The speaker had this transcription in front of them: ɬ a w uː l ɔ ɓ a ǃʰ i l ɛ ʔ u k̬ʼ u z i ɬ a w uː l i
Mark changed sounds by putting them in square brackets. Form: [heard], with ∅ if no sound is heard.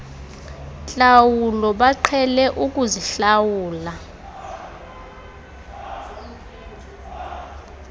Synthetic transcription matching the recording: ɬ a w [u] l ɔ ɓ a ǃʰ [ɛ] l ɛ ʔ u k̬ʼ u z i ɬ a w uː l [a]